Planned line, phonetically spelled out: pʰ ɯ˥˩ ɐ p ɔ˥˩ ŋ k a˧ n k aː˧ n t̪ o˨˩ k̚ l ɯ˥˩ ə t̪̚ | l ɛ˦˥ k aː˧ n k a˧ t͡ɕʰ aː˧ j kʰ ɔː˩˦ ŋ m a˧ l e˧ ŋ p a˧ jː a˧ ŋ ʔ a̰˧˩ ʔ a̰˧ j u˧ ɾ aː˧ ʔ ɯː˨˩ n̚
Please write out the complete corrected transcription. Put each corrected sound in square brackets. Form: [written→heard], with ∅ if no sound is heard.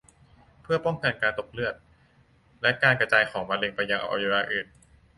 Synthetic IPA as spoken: pʰ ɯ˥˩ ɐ p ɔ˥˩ ŋ k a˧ n k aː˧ n t̪ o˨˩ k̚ l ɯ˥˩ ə t̪̚ | l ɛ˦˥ k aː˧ n k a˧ [t͡ɕʰ→t͡ɕ] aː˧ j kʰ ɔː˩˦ ŋ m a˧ l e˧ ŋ p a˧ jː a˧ ŋ ʔ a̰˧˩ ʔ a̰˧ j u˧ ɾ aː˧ ʔ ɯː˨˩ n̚